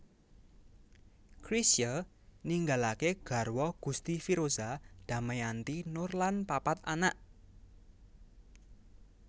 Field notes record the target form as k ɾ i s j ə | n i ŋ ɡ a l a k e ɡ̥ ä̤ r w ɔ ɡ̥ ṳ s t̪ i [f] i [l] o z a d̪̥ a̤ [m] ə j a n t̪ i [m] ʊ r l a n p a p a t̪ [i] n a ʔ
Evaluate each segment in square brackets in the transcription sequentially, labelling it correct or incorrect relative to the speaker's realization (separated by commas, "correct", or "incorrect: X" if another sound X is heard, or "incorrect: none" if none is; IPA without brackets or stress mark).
correct, incorrect: ɾ, correct, incorrect: n, incorrect: a